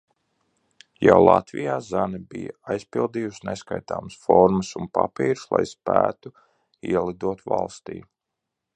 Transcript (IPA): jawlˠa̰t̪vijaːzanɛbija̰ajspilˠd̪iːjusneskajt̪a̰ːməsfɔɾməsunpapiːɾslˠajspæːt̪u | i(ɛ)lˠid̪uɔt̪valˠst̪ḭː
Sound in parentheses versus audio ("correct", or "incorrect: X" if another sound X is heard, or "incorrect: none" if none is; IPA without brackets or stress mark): correct